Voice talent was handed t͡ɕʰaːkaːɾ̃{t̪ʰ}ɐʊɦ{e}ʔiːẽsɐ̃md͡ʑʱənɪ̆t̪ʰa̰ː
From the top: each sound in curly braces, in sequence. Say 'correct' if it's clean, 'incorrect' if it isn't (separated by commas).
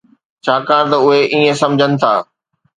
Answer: incorrect, correct